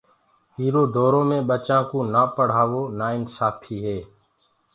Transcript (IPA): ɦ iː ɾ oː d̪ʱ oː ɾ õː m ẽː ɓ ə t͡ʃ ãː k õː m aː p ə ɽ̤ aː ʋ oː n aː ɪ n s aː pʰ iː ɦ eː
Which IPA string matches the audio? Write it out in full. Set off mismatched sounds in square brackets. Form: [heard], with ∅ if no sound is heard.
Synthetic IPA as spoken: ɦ iː ɾ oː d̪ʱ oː ɾ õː m ẽː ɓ ə t͡ʃ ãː k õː [n] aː p ə ɽ̤ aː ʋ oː n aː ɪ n s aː pʰ iː ɦ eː